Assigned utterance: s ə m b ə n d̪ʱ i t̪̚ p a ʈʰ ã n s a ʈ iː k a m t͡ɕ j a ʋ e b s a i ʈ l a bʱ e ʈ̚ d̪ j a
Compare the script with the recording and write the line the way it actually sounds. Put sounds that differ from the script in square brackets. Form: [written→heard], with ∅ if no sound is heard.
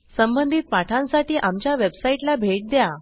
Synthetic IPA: s ə m b ə n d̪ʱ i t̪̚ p a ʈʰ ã n s a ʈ iː [k→ʔ] a m t͡ɕ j a ʋ e b s a i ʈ l a bʱ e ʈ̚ d̪ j a